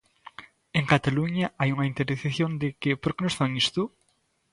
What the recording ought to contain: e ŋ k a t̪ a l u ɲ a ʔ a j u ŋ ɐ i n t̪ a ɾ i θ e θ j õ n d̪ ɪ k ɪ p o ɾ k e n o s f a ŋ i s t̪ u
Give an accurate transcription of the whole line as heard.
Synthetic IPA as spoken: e ŋ k a t̪ a l u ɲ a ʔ a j u ŋ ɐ i n t̪ e ɾ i θ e θ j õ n d̪ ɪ k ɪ p o ɾ k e n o s f a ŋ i s t̪ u